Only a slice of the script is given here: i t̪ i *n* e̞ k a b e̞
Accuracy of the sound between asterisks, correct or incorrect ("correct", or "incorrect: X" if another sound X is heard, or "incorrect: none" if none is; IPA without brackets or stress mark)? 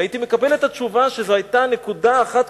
incorrect: m